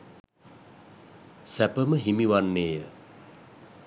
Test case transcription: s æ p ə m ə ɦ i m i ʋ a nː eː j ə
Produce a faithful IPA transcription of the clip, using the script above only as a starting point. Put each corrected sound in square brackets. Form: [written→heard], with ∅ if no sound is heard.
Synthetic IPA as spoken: s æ p ə m ə ɦ i m i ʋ a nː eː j ə